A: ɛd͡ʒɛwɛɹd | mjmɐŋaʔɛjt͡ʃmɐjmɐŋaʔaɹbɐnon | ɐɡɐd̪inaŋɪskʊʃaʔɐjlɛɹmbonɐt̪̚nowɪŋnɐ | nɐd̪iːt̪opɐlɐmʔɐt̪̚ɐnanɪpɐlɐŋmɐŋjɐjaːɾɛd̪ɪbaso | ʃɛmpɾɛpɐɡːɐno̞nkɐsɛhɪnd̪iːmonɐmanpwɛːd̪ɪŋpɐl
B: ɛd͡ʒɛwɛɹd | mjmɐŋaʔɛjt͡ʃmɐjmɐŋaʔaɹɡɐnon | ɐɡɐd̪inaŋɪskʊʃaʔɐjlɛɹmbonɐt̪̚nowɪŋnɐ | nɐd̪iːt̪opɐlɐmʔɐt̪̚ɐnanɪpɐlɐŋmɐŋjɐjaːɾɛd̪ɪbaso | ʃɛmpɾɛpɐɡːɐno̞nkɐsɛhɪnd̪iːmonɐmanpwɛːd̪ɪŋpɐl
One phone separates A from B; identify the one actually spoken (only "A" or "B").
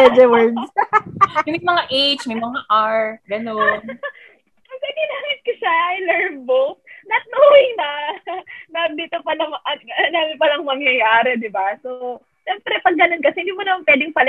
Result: B